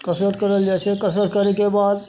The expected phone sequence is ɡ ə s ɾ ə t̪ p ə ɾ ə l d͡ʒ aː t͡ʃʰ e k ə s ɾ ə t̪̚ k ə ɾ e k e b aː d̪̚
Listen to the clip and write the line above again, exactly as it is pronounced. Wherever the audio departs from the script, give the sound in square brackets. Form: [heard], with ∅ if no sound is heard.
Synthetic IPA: [k] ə s ɾ ə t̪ [k] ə ɾ ə l d͡ʒ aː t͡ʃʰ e k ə s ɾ ə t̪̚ k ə ɾ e k e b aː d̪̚

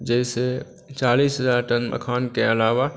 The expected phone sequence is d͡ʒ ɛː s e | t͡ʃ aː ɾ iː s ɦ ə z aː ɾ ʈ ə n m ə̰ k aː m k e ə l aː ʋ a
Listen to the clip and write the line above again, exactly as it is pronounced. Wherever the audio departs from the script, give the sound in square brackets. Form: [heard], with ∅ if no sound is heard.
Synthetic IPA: d͡ʒ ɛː s e | t͡ʃ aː [l] iː s ɦ ə z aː ɾ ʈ ə n m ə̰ [kʰ] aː [n] k e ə l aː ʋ a

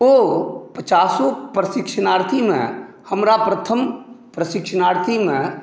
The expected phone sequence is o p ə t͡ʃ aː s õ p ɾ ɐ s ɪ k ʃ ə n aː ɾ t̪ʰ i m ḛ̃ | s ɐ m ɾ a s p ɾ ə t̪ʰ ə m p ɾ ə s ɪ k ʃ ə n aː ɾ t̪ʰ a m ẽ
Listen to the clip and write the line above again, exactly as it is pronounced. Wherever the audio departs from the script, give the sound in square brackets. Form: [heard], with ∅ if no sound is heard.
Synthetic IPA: o p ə t͡ʃ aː s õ p ɾ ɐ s ɪ k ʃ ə n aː ɾ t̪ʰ i m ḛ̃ | [h] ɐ m ɾ a [∅] p ɾ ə t̪ʰ ə m p ɾ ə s ɪ k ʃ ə n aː ɾ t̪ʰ [i] m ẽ

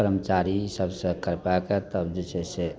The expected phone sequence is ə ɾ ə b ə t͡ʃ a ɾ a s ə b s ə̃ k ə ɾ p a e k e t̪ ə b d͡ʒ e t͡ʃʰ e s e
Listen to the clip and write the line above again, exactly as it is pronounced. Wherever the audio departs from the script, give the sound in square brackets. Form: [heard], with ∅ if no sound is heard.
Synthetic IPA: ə ɾ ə [m] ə t͡ʃ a ɾ [i] s ə b s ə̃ k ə ɾ p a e k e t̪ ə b d͡ʒ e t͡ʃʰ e s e

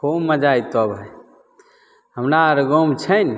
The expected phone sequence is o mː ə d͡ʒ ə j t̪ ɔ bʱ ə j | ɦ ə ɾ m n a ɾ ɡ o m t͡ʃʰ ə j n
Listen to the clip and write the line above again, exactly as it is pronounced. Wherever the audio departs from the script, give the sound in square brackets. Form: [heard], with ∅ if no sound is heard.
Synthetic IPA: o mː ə d͡ʒ [a] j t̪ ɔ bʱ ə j | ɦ ə [∅] m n a ɾ ɡ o m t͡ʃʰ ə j n

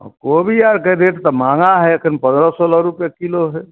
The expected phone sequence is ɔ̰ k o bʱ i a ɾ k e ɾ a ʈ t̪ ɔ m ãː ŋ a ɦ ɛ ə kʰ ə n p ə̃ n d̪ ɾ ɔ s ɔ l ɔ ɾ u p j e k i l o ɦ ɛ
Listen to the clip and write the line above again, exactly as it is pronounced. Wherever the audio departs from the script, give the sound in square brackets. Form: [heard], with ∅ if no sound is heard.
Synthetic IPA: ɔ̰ k o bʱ i a ɾ k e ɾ [e] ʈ t̪ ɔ m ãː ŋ a ɦ ɛ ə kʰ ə n p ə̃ n d̪ ɾ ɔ s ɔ l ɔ ɾ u p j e k i l o ɦ ɛ

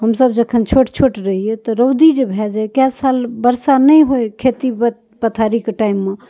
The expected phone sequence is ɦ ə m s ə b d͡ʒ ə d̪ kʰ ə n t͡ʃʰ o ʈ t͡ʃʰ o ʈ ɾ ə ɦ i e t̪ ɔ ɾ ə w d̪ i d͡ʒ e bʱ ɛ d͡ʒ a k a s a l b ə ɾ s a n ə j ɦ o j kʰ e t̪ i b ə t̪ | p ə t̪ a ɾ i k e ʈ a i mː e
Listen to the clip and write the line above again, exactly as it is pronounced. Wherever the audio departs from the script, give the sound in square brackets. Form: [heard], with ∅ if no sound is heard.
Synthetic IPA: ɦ ə m s ə b d͡ʒ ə [∅] kʰ ə n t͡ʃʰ o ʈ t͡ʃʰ o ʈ ɾ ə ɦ i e t̪ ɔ ɾ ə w d̪ i d͡ʒ e bʱ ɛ d͡ʒ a k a s a l b ə ɾ s a n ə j ɦ o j kʰ e t̪ i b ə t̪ | p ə [t̪ʰ] a ɾ i k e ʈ a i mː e

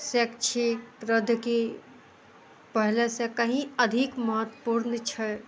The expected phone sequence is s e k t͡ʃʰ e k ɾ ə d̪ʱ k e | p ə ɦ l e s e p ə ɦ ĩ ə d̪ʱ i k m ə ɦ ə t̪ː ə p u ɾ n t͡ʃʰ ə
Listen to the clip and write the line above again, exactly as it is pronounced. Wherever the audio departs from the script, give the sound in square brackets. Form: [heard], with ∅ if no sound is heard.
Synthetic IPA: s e k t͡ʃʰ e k ɾ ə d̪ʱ k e | p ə ɦ l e s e [k] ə ɦ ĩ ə d̪ʱ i k m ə ɦ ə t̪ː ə p u ɾ n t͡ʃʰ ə

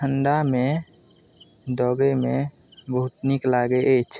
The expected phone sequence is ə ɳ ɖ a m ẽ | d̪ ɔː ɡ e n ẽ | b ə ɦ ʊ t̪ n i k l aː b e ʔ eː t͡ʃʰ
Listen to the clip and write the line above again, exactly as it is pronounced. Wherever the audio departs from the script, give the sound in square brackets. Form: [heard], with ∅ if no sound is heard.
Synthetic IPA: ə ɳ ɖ a m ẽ | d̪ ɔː ɡ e [m] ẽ | b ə ɦ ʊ t̪ n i k l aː [ɡ] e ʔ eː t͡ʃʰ

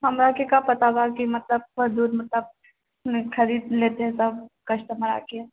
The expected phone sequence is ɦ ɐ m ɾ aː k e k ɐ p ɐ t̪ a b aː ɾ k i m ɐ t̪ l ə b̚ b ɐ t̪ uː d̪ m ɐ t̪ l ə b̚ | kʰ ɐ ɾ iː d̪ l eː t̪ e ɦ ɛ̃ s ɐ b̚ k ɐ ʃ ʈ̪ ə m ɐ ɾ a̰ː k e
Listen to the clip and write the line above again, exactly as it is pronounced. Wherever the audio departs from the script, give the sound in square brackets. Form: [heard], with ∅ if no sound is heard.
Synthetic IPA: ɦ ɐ m ɾ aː k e k [a] p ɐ t̪ a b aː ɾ k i m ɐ t̪ l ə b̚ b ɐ [d̪] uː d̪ m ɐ t̪ l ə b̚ | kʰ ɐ ɾ iː d̪ l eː t̪ e ɦ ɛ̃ s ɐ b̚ k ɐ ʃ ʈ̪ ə m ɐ ɾ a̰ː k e

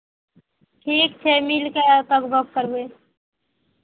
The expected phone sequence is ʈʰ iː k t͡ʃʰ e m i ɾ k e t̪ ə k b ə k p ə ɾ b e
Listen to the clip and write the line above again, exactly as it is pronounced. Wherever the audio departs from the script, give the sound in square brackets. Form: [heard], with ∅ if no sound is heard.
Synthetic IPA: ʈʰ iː k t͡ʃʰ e m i [l] k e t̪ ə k b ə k [k] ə ɾ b e

